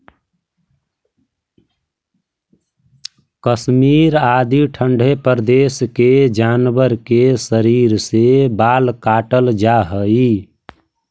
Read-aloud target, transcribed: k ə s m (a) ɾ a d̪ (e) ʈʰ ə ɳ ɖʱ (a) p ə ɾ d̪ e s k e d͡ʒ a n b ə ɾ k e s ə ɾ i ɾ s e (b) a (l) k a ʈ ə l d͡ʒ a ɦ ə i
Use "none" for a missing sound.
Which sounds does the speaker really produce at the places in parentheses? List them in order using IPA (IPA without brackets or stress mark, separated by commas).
i, i, e, b, l